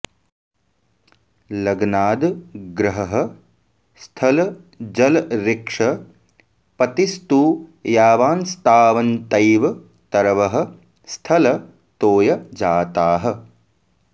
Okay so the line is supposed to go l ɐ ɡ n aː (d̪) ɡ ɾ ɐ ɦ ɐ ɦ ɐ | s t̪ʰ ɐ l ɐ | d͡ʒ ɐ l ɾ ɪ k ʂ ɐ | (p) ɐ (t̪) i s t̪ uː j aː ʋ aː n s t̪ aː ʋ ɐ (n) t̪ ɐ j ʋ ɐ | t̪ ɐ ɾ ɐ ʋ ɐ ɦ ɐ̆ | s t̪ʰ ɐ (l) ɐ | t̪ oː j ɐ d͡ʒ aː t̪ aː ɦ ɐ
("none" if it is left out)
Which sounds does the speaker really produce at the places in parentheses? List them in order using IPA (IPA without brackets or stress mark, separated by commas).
d̪, p, t̪, n, l